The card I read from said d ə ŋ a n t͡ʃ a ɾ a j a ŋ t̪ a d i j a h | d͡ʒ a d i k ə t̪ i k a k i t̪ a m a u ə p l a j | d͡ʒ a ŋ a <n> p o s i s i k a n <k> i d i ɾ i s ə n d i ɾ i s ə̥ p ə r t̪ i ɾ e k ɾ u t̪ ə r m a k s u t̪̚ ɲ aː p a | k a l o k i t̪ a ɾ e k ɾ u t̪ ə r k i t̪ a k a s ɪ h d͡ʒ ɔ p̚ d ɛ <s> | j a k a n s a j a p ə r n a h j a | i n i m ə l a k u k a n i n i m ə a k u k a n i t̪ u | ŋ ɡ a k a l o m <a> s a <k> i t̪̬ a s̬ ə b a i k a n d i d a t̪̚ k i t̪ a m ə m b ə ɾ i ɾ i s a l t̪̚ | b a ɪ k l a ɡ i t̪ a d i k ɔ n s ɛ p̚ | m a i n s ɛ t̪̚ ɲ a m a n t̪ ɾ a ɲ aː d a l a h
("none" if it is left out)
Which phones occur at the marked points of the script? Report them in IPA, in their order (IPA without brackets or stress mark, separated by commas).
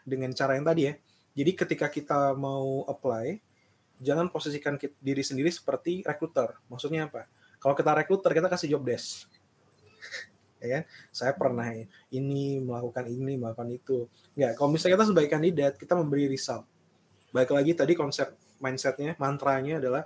n, k, s, i, k